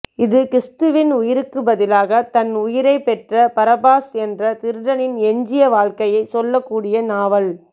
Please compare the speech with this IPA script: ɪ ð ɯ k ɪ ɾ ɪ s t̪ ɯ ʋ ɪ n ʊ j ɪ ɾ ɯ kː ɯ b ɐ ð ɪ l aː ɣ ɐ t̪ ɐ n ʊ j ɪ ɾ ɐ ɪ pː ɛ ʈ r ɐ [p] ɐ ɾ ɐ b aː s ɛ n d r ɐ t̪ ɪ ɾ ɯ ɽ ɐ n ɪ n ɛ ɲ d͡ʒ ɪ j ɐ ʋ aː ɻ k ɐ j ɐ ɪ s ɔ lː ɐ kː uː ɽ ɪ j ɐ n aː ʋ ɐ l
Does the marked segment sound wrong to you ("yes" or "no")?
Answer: no